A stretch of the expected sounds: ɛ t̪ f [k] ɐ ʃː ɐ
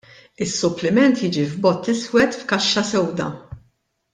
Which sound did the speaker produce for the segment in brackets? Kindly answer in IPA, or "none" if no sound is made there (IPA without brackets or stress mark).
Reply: k